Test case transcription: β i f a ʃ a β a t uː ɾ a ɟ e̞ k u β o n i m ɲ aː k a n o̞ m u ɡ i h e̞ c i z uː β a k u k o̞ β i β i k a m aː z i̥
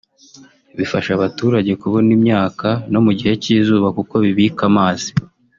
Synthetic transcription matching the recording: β i f a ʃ a β a t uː ɾ a ɟ e̞ k u β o n i m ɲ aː k a n o̞ m u ɟ i h e̞ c i z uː β a k u k o̞ β i β i k a m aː z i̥